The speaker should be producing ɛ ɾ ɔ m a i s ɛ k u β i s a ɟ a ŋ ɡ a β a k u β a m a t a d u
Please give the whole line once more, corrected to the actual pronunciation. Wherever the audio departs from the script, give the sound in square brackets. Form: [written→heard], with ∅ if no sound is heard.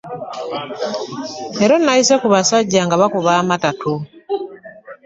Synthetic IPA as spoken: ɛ ɾ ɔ [m→n] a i s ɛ k u β [i→a] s a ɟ a ŋ ɡ a β a k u β a m a t a [d→t] u